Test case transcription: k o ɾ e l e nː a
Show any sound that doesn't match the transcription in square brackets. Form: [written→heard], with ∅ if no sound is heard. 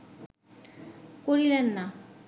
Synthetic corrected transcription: k o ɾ [e→i] l e nː a